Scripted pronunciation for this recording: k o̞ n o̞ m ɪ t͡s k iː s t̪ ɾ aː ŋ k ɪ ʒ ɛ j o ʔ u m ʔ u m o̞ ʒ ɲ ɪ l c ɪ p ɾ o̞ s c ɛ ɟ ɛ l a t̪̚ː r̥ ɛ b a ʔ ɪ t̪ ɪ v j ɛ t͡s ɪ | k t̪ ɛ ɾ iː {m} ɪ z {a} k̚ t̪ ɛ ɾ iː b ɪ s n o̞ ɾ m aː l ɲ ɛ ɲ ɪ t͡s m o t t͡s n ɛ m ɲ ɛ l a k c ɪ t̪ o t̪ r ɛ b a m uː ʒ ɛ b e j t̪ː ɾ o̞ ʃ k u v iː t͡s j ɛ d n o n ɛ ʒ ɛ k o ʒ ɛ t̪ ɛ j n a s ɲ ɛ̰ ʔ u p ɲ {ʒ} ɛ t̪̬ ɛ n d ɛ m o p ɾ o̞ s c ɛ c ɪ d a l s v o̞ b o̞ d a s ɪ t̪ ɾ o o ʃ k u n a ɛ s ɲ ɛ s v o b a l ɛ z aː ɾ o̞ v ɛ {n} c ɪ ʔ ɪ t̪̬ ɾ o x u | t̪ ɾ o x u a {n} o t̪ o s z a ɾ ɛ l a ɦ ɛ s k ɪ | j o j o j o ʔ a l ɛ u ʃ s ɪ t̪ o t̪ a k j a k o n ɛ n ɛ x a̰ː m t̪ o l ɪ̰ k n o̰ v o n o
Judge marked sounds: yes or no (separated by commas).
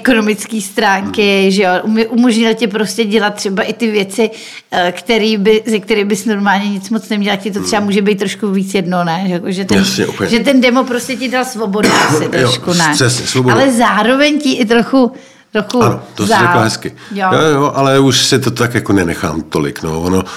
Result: no, no, yes, no, yes